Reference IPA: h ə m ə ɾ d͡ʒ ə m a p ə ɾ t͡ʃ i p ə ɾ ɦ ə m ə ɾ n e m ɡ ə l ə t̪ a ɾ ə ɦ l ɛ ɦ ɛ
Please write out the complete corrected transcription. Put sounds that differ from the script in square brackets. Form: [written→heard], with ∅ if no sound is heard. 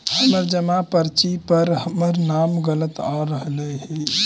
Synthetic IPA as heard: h ə m ə ɾ d͡ʒ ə m a p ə ɾ t͡ʃ i p ə ɾ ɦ ə m ə ɾ n [e→a] m ɡ ə l ə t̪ a ɾ ə ɦ l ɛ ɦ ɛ

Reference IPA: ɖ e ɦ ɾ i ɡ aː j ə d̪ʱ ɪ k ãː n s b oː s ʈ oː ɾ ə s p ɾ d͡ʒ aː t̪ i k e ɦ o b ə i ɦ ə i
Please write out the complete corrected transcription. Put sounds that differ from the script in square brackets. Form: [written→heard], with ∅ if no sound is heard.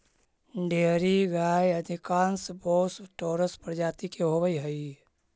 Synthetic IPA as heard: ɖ e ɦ ɾ i ɡ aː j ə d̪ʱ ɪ k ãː n s b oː s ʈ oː ɾ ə s p ɾ d͡ʒ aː t̪ i k e ɦ o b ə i ɦ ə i

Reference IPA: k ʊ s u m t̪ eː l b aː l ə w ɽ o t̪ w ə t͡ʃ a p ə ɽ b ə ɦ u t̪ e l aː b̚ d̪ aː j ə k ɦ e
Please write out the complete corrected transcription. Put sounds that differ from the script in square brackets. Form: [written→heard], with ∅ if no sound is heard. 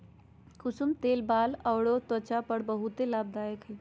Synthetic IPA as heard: k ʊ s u m t̪ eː l b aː l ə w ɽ o t̪ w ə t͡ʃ a p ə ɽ b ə ɦ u t̪ e l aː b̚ d̪ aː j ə k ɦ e

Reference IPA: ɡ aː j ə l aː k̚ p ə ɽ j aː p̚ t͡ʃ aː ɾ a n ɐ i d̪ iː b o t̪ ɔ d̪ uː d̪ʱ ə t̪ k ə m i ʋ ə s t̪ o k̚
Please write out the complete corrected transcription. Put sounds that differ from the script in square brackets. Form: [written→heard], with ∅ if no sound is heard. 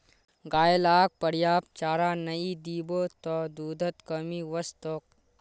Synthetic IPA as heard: ɡ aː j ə l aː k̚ p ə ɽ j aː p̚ t͡ʃ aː ɾ a n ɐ i d̪ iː b o t̪ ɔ d̪ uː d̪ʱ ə t̪ k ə m i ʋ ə s t̪ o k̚

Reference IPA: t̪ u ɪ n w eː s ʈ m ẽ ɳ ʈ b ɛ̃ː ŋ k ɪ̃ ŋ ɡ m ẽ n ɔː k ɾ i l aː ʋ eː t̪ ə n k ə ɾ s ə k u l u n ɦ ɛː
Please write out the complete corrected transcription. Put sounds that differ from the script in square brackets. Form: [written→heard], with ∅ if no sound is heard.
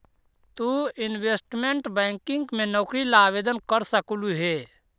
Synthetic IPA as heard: t̪ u ɪ n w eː s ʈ m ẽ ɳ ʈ b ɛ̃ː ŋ k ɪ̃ ŋ ɡ m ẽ n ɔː k ɾ i l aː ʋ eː [t̪→d̪] ə n k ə ɾ s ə k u l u [n→∅] ɦ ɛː

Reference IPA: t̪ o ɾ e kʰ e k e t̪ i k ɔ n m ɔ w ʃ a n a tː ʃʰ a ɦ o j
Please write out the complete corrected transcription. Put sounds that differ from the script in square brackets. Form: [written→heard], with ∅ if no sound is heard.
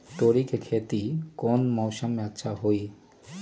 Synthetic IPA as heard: t̪ o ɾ [e→i] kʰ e [k→kʰ] e t̪ i k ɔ n m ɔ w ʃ a [n→m] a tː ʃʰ a ɦ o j

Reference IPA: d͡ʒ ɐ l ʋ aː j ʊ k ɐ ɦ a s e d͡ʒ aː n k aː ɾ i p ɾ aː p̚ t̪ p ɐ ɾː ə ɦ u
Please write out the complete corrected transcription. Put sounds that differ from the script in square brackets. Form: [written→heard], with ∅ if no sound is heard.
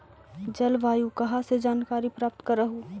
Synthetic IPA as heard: d͡ʒ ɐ l ʋ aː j [ʊ→u] k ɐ ɦ a s e d͡ʒ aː n k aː ɾ i p ɾ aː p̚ t̪ [p→k] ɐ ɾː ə ɦ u

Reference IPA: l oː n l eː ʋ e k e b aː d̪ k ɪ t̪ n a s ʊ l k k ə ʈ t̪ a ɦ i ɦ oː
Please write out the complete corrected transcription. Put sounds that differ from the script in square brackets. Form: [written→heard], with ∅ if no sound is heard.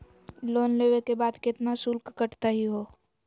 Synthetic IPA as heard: l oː n l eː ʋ e k e b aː d̪ k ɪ t̪ n a s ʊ l k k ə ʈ t̪ a ɦ i ɦ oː

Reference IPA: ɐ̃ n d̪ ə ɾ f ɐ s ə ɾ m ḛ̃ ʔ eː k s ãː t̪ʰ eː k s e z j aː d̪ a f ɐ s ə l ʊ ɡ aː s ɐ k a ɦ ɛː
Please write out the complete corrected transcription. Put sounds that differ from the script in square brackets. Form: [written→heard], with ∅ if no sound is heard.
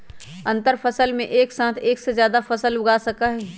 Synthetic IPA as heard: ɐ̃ n [d̪→t̪] ə ɾ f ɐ s ə [ɾ→l] m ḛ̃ ʔ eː k s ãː t̪ʰ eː k s e z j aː d̪ a f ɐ s ə l ʊ ɡ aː s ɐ k a ɦ ɛː

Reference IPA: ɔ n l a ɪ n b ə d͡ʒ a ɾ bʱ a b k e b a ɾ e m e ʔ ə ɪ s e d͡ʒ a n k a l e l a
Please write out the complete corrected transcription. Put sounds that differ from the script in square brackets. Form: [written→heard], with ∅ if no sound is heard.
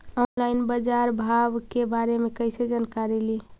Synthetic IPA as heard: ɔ n l a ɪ n b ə d͡ʒ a ɾ bʱ a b k e b a ɾ e m e [ʔ→k] ə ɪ s e d͡ʒ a n k a [l→ɾ] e l [a→i]

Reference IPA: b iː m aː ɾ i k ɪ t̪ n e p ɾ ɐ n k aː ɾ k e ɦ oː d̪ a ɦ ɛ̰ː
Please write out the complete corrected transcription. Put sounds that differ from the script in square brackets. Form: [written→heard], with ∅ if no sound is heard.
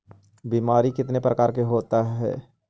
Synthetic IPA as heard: b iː m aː ɾ i k ɪ t̪ n e p ɾ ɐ [n→∅] k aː ɾ k e ɦ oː [d̪→t̪] a ɦ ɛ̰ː

